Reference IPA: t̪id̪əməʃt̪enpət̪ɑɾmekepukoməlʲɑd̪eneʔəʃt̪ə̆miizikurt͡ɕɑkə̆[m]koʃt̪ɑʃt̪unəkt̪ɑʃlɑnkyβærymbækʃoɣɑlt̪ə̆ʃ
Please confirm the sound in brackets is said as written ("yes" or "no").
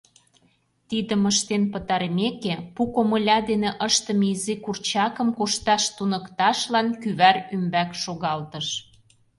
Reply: yes